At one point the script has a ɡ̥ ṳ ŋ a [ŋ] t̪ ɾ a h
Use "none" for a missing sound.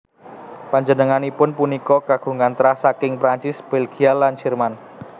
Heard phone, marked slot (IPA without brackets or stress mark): n